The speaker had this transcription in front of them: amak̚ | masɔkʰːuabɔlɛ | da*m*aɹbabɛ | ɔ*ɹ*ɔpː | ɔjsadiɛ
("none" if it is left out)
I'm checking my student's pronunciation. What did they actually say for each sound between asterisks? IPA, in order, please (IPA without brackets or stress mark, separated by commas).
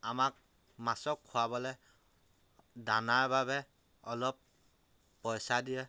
n, l